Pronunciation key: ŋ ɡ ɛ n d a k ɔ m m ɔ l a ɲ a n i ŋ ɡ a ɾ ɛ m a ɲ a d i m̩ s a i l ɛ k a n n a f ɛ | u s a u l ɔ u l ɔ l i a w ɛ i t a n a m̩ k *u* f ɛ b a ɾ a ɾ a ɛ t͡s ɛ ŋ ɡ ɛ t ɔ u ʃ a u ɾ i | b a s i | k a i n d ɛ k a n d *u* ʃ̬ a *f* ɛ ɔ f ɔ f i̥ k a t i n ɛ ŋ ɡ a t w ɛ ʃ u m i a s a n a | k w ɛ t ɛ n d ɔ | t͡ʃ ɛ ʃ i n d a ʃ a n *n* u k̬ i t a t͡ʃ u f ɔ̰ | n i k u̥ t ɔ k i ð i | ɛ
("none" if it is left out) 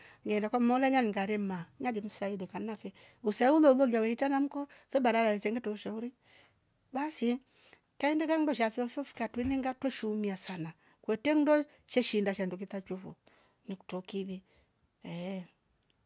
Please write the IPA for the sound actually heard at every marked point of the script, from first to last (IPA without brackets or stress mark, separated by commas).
ɔ, ɔ, f, d